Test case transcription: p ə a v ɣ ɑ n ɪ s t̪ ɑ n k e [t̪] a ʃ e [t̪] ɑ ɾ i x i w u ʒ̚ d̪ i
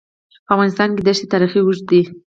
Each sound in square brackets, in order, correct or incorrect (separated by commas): incorrect, correct